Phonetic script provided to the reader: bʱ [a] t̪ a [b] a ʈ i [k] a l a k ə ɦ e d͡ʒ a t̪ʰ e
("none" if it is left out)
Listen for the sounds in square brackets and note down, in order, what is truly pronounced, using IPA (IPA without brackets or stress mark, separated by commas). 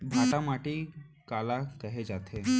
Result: a, m, k